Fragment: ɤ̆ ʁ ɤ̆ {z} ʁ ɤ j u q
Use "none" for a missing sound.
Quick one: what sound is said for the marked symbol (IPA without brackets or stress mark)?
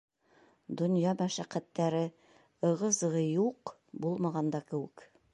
z